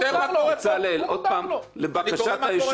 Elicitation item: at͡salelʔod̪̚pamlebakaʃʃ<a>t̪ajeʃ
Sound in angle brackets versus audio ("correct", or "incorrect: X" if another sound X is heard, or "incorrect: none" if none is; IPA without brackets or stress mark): correct